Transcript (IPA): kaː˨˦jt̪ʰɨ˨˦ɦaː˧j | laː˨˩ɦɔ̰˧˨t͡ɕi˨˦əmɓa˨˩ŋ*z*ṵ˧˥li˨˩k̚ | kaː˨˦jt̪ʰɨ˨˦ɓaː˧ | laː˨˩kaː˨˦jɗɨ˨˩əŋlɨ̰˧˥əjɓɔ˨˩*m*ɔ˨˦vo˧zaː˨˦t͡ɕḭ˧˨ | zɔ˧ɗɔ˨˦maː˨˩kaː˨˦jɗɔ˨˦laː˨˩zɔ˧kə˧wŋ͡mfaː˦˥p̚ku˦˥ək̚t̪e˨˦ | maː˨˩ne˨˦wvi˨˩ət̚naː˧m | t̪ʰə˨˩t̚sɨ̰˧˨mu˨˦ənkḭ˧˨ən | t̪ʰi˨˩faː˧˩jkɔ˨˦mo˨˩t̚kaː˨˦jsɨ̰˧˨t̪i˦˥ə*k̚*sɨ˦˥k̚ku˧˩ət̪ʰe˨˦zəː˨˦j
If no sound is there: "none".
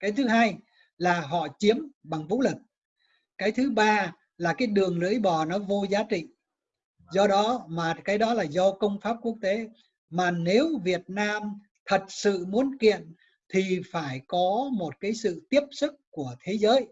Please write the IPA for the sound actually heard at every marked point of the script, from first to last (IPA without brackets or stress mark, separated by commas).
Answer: v, n, p̚